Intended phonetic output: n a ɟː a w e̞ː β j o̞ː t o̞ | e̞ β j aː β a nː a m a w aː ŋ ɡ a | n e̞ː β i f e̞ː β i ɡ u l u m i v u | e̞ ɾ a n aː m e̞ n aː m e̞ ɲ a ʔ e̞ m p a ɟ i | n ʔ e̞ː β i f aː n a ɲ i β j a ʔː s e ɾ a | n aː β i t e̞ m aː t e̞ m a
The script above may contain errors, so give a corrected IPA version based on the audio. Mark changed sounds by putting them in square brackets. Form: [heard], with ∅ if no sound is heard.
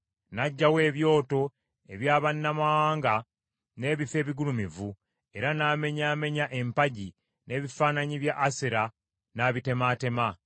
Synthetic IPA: n a ɟː a w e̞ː β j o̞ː t o̞ | e̞ β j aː β a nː a m a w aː ŋ ɡ a | n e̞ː β i f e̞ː β i ɡ u l u m i v u | e̞ ɾ a n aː m e̞ [ɲ] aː m e̞ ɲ a ʔ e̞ m p a ɟ i | n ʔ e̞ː β i f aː n a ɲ i β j a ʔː s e ɾ a | n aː β i t e̞ m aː t e̞ m a